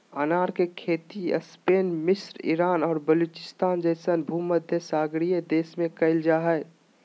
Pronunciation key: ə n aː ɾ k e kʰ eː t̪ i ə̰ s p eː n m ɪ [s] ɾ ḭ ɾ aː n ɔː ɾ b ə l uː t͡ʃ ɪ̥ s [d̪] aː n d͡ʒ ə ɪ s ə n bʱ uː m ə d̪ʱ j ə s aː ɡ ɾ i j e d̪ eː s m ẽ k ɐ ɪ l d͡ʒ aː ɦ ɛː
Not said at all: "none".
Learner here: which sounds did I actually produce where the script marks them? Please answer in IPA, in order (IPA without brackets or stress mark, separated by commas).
s, t̪